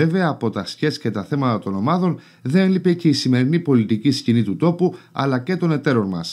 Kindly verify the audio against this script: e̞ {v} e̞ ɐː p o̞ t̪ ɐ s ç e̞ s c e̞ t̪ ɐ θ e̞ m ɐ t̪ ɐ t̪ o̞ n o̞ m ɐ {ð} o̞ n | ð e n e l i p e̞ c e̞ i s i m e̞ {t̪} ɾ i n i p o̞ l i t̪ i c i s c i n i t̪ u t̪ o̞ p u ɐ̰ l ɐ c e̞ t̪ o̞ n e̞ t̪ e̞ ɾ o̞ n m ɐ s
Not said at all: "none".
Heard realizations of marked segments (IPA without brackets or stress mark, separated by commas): v, ð, none